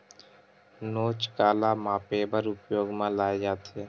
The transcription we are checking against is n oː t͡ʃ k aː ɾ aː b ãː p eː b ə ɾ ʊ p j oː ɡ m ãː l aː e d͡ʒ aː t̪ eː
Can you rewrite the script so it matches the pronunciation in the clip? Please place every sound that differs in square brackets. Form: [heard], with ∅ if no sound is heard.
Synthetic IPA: n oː t͡ʃ k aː [l] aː [m] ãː p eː b ə ɾ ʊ p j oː ɡ m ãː l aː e d͡ʒ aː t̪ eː

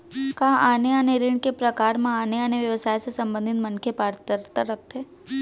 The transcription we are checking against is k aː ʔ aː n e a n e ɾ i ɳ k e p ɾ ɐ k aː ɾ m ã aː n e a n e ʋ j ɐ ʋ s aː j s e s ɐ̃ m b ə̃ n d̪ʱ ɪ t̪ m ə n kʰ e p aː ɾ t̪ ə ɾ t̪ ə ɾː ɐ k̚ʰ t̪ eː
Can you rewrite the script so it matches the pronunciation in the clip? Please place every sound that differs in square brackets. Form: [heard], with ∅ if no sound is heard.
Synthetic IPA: k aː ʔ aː n e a n e ɾ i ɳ k e p ɾ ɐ k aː ɾ m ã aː n e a n e ʋ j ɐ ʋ s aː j s e s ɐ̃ m b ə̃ n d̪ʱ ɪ t̪ m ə n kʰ e p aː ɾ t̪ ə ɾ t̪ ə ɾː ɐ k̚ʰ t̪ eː

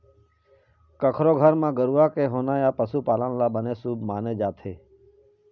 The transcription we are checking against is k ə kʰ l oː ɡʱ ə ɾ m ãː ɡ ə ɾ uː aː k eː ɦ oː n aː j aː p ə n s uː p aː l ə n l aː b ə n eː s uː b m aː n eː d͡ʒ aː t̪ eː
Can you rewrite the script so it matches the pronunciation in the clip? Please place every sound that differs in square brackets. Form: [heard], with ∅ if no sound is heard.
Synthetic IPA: k ə kʰ [ɾ] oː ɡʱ ə ɾ m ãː ɡ ə ɾ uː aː k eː ɦ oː n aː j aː p ə [∅] s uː p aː l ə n l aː b ə n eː s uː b m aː n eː d͡ʒ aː [t̪ʰ] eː

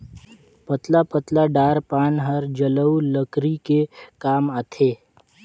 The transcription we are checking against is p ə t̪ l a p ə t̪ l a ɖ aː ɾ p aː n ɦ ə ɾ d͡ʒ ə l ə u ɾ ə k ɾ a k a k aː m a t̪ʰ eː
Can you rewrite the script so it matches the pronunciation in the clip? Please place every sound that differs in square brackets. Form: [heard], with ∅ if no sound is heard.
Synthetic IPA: p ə t̪ l a p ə t̪ l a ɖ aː ɾ p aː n ɦ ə ɾ d͡ʒ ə l ə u [l] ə k ɾ [i] k [e] k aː m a t̪ʰ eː

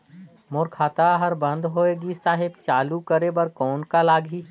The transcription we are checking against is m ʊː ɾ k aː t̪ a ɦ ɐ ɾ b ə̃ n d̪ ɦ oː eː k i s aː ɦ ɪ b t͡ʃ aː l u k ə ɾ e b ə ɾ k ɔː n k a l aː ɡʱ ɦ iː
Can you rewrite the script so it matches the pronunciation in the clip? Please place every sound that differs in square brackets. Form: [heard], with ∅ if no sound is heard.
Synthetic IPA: m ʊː ɾ [kʰ] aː t̪ a ɦ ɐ ɾ b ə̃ n d̪ ɦ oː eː [ɡ] i s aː ɦ ɪ b t͡ʃ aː l u k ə ɾ e b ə ɾ k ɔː n k a l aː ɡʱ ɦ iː

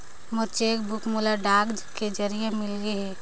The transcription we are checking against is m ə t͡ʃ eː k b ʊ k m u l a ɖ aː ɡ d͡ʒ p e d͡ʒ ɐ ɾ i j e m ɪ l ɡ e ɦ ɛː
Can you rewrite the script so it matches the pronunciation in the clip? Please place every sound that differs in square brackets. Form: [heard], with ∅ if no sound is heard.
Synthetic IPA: m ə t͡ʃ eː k b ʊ k m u l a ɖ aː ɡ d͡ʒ [k] e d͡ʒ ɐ ɾ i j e m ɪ l ɡ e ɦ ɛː

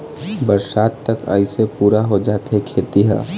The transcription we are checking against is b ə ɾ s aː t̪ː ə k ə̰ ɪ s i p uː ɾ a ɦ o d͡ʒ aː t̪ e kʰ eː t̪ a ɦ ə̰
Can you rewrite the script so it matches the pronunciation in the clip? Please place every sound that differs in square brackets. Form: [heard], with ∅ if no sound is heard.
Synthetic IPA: b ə ɾ s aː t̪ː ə k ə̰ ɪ s [e] p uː ɾ a ɦ o d͡ʒ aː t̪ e kʰ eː t̪ [i] ɦ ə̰

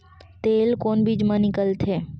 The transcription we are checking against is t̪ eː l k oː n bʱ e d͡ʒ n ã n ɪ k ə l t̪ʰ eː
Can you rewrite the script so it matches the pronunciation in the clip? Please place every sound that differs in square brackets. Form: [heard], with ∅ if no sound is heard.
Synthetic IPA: t̪ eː l k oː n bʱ [i] d͡ʒ [m] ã n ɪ k ə l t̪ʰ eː

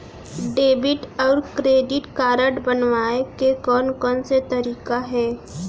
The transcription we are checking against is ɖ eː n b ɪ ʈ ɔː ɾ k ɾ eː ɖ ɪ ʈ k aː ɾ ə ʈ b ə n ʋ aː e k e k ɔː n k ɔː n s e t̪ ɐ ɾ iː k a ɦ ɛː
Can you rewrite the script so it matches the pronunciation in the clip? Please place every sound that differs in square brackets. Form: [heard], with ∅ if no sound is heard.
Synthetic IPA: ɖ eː [∅] b ɪ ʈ ɔː ɾ k ɾ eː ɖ ɪ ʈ k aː ɾ ə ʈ b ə n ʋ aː e k e k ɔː n k ɔː n s e t̪ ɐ ɾ iː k a ɦ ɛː

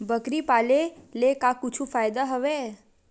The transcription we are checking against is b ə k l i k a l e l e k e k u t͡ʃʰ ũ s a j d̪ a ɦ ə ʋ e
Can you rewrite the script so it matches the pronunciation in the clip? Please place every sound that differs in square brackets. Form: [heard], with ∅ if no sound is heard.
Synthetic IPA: b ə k [ɾ] i [p] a l e l e k [a] k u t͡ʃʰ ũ [f] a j d̪ a ɦ ə ʋ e

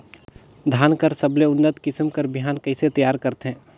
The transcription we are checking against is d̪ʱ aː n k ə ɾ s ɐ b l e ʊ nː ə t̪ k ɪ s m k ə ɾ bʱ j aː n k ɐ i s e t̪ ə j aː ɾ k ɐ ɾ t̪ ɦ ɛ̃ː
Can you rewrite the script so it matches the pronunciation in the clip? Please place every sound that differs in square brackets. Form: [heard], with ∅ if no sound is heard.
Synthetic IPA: d̪ʱ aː n k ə ɾ s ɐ b l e ʊ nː ə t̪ k ɪ s m k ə ɾ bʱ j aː n k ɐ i s e t̪ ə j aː ɾ k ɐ ɾ t̪ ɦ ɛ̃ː

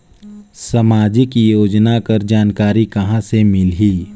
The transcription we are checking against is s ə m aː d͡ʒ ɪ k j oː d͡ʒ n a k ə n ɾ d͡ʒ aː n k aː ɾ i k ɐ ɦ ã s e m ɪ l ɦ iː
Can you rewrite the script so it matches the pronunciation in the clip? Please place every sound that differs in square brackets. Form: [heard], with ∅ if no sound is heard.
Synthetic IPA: s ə m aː d͡ʒ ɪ k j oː d͡ʒ n a k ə [∅] ɾ d͡ʒ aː n k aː ɾ i k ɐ ɦ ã s e m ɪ l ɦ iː

